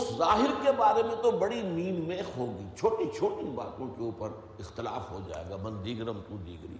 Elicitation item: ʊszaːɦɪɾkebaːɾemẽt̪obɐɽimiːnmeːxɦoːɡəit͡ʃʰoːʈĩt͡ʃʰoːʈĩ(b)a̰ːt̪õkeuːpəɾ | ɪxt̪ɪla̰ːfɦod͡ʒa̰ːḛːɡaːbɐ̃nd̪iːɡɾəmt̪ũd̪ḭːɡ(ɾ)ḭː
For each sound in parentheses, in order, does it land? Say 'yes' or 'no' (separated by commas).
yes, yes